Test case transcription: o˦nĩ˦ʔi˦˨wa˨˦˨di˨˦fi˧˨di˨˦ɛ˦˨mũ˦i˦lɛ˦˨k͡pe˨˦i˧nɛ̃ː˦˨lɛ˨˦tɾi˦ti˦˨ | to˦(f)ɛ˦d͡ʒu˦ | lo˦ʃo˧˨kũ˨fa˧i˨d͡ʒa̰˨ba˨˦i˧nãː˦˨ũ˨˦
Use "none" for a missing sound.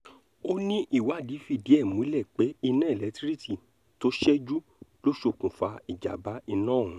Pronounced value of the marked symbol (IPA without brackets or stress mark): ʃ